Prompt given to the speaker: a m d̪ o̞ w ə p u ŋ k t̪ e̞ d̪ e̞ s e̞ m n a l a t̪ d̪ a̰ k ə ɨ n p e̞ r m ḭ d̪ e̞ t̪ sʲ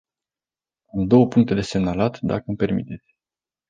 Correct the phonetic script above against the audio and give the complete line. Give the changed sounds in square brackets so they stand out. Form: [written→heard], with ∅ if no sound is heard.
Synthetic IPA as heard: a m d̪ o̞ w ə p u ŋ k t̪ e̞ d̪ e̞ s e̞ m n a l a t̪ d̪ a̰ k ə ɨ [n→m] p e̞ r m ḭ [d̪→t̪] e̞ t̪ sʲ